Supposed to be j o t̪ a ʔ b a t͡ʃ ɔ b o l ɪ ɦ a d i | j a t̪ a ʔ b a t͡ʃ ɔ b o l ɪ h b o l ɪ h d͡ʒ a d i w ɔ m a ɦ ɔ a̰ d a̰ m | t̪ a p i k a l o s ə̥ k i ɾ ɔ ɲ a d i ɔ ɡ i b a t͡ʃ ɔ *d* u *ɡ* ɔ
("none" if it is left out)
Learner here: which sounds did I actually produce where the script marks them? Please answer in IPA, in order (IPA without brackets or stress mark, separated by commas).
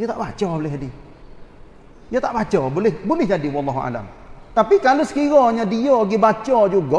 d͡ʒ, ɡ